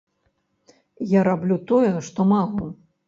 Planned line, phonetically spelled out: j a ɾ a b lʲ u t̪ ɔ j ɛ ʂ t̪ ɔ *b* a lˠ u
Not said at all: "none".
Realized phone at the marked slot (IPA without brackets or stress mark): m